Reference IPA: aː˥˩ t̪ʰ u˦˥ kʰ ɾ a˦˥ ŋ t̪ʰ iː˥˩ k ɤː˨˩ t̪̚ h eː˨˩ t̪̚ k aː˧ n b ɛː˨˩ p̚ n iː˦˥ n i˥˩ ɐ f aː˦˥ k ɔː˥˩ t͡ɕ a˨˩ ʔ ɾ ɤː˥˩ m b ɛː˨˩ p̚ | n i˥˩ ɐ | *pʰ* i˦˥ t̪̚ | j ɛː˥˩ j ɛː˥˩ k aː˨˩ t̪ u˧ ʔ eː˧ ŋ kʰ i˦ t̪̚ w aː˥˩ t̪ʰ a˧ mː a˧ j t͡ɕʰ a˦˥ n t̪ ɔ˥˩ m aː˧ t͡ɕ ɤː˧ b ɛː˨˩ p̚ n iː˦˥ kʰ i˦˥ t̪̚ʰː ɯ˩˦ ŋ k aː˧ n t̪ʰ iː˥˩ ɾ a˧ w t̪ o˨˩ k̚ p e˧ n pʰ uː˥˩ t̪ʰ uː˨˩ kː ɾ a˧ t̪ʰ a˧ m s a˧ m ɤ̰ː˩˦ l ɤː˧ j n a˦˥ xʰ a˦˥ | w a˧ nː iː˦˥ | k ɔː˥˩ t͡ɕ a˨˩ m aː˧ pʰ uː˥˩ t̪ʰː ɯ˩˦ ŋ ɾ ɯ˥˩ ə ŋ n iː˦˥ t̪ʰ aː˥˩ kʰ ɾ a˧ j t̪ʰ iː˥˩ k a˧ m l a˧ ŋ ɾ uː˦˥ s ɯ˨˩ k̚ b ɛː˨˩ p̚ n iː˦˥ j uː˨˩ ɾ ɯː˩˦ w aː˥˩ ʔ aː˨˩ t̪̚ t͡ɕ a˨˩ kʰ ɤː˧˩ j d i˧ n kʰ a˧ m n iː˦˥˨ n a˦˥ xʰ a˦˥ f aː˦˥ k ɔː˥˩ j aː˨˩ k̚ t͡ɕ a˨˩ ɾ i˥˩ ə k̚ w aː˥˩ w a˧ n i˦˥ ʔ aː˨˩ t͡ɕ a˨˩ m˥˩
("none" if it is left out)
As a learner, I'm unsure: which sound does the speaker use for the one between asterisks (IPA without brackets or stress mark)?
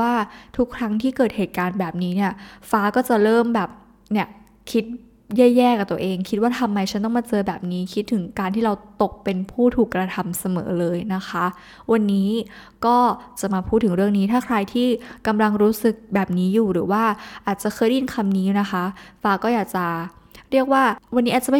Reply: kʰ